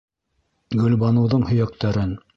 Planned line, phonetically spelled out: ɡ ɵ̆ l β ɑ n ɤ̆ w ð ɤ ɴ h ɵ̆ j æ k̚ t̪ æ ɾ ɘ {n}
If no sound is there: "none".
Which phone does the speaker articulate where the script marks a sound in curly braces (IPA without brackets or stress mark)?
n